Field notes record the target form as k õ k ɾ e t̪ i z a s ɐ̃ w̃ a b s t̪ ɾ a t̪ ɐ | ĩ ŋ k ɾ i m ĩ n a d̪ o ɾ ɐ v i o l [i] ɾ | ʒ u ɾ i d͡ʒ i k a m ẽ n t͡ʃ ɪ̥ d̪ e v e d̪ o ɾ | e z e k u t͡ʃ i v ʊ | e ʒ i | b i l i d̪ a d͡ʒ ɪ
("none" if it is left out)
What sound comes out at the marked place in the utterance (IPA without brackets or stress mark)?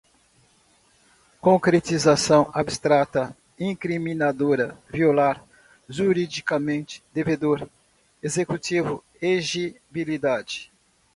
a